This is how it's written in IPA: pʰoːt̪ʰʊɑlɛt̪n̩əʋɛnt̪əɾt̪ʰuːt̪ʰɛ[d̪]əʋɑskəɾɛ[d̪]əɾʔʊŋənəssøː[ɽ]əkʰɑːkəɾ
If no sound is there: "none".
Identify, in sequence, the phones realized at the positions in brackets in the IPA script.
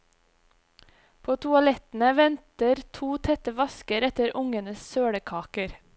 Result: t̪, t̪, ɽ

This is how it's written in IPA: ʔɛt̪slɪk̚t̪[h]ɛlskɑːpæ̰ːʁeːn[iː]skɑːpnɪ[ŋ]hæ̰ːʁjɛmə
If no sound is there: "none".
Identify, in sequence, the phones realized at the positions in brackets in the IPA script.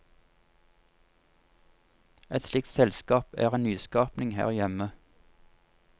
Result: s, yː, ŋ

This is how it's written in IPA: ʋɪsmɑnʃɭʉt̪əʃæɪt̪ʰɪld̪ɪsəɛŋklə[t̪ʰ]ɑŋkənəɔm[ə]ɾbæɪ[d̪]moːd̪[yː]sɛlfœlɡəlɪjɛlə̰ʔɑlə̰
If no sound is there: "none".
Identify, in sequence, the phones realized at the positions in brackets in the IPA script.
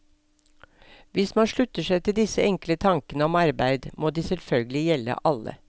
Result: t̪ʰ, ɑ, d̪, iː

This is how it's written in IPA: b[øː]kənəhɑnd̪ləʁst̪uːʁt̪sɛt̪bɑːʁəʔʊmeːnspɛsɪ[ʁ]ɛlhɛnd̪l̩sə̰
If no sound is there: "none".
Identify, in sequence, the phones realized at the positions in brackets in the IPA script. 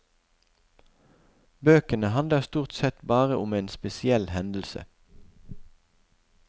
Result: øː, none

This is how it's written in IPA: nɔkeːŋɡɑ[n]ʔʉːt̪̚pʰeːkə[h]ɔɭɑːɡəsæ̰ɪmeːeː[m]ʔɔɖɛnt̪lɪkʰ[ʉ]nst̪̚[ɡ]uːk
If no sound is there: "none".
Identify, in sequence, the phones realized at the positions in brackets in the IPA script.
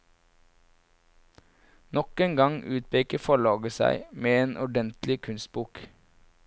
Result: ŋ, f, n, ʉ, b

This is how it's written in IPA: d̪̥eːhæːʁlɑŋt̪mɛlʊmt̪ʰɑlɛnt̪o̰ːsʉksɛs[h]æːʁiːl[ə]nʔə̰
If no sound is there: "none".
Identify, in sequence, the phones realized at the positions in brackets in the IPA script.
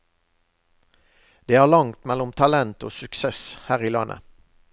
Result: h, ɑ

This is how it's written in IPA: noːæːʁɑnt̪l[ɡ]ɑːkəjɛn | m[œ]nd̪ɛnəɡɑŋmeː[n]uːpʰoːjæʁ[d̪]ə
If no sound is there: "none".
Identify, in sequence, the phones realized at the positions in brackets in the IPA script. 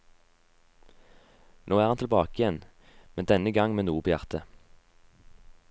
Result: b, ɛ, n, t̪

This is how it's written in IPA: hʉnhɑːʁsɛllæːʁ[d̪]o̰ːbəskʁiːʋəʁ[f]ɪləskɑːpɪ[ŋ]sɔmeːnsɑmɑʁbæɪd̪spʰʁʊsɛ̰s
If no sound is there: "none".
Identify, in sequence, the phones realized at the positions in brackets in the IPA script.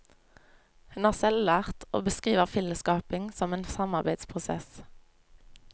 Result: t̪, f, ŋ

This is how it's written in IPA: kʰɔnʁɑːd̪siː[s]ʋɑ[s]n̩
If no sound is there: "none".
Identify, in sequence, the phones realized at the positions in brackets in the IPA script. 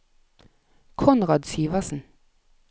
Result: none, s

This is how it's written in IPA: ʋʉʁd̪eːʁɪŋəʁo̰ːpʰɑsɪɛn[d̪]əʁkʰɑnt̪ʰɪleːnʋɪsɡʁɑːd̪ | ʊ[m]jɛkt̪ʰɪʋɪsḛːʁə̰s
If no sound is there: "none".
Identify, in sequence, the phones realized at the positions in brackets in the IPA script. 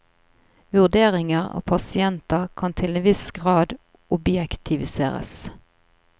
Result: t̪, b

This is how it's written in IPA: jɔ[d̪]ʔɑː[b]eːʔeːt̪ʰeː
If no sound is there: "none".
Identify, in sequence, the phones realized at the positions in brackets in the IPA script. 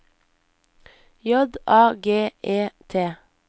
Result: d̪, ɡ

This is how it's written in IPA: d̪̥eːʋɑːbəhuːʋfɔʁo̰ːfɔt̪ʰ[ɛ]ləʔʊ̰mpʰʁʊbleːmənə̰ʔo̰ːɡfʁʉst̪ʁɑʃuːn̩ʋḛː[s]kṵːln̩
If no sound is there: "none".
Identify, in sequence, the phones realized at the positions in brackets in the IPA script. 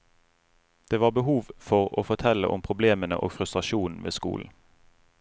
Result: ɛ, s

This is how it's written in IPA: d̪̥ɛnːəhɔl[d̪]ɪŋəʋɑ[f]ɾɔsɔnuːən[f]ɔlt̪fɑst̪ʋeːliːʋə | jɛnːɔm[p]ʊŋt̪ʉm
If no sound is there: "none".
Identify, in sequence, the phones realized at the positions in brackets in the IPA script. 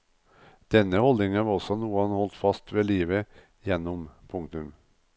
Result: d̪, none, h, pʰ

